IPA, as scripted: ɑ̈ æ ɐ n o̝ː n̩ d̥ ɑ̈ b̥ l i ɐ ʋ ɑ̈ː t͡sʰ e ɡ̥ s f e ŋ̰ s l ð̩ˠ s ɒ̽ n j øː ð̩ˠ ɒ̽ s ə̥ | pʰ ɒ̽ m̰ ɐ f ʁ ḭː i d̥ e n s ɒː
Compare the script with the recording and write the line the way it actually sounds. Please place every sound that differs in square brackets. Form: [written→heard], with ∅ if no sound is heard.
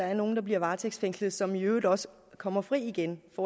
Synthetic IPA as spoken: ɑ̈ æ ɐ n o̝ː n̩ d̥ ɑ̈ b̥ l i ɐ ʋ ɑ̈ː t͡sʰ e ɡ̥ s f e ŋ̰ s l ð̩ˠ s ɒ̽ [n→m] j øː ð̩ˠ ɒ̽ s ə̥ | [pʰ→kʰ] ɒ̽ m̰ ɐ f ʁ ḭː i [d̥→ɡ̥] e n [s→f] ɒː